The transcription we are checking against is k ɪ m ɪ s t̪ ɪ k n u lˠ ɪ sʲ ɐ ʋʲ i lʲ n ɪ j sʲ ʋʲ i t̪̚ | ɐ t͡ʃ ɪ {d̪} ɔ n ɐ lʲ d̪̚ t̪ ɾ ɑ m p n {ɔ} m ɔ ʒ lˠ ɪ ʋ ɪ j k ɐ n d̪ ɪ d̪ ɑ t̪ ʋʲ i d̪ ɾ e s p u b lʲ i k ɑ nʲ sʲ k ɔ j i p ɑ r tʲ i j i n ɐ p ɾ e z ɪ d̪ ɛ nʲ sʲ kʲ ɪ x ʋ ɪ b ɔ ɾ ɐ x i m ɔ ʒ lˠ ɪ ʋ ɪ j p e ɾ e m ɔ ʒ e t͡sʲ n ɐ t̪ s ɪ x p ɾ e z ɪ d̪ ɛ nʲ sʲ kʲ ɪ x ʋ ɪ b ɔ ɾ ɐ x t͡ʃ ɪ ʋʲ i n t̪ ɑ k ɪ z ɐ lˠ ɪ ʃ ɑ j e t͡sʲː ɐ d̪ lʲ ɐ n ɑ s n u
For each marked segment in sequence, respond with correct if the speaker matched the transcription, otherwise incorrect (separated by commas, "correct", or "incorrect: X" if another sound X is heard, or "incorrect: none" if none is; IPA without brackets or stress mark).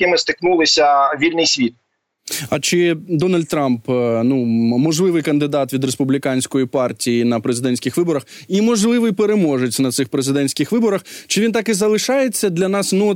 correct, incorrect: u